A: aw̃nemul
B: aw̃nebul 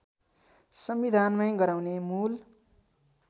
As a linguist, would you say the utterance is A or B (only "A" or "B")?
A